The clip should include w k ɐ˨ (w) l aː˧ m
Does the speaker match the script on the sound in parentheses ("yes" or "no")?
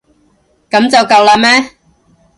yes